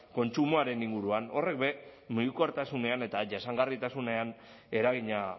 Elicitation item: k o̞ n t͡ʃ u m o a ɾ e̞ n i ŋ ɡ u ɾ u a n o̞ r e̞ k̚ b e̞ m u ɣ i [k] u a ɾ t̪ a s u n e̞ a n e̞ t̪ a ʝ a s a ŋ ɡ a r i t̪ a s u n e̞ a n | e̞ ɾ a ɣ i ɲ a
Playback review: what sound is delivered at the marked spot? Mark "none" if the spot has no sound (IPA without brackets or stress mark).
k